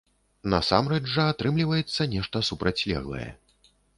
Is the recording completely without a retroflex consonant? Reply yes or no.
no